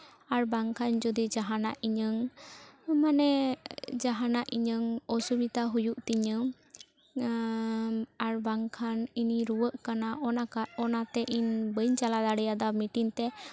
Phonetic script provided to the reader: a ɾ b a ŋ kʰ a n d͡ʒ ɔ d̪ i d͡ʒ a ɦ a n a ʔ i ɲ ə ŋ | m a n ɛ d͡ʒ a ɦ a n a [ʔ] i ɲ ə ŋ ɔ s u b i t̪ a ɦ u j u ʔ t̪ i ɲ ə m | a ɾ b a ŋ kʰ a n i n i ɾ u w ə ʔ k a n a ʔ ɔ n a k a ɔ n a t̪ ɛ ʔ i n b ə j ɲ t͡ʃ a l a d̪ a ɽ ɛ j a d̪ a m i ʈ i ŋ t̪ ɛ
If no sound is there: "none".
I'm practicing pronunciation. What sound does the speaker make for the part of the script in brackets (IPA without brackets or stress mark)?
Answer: ʔ